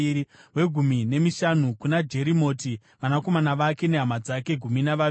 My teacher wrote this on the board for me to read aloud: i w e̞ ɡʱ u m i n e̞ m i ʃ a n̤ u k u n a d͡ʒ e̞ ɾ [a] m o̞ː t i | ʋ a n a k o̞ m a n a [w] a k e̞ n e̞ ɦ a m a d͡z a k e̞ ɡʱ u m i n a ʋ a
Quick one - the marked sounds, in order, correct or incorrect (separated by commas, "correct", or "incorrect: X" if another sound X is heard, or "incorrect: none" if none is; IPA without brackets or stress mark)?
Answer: incorrect: i, incorrect: ʋ